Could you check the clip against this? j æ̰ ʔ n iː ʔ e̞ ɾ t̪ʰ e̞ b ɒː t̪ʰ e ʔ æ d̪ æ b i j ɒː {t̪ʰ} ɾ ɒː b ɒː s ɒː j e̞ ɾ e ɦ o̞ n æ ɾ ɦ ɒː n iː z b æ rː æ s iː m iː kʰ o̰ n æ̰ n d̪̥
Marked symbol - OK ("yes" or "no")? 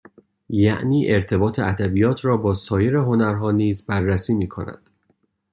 yes